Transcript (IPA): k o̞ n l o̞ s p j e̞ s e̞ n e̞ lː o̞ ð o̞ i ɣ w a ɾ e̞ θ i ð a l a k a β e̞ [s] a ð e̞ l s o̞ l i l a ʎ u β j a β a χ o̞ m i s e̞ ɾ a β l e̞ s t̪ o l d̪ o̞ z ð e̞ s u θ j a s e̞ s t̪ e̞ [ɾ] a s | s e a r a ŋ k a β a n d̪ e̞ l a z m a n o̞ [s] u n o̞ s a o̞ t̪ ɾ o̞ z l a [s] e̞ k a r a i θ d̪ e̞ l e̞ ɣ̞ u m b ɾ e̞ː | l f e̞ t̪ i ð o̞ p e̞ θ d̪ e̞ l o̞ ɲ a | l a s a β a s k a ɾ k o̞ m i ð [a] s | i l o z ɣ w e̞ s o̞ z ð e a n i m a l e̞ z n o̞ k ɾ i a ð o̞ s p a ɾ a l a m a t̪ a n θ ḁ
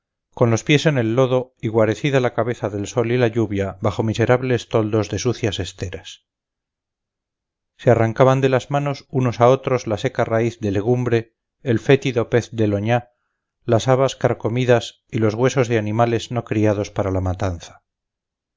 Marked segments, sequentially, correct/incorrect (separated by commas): incorrect, correct, correct, correct, correct